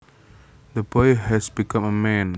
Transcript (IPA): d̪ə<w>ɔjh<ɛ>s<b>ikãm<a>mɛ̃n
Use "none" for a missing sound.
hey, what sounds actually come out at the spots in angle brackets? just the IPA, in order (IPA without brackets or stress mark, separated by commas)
b, ɛ, b, ə